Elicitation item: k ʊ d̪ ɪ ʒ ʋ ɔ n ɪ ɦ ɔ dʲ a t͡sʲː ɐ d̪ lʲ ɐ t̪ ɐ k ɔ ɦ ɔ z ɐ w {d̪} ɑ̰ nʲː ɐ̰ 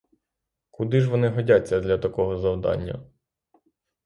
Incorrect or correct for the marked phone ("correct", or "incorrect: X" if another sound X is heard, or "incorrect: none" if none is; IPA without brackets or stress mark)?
correct